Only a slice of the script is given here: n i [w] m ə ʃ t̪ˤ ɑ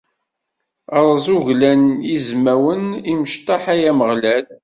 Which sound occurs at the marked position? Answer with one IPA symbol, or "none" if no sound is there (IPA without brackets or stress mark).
none